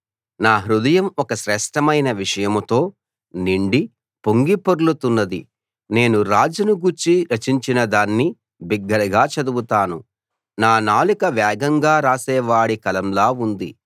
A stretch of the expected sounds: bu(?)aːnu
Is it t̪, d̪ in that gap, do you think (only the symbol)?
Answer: t̪